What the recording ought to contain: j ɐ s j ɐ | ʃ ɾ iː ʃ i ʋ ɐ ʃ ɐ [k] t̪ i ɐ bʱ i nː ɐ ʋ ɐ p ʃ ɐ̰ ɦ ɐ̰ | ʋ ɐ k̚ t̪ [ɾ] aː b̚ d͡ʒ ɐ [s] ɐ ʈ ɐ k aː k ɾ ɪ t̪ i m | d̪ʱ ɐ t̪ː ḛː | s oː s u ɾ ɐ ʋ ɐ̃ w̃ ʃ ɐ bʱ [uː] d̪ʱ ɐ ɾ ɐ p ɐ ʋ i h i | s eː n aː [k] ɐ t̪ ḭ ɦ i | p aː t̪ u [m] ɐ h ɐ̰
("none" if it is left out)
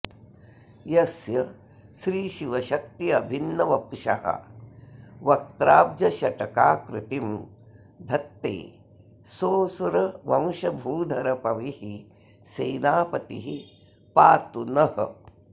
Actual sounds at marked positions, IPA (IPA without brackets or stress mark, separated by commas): k, ɾ, ʃ, uː, p, n